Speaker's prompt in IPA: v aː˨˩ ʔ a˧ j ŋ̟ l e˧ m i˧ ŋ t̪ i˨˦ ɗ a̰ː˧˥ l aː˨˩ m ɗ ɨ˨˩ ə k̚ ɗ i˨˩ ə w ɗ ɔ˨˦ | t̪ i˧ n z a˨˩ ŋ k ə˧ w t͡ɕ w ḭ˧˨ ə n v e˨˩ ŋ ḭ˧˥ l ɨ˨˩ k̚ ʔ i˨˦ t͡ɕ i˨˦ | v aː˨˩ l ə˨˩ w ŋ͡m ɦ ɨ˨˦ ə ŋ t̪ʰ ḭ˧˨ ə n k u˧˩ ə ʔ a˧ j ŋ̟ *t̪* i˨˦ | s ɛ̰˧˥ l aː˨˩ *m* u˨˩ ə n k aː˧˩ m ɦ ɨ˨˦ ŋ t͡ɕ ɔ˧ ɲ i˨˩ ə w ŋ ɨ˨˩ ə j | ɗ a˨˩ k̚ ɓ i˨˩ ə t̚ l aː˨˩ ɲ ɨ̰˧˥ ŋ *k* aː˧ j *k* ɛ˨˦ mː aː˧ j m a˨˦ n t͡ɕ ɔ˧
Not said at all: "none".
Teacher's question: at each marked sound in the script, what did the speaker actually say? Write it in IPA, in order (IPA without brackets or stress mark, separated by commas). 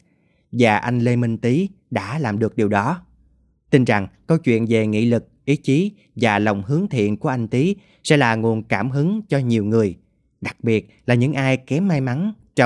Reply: t̪, ŋ, ʔ, k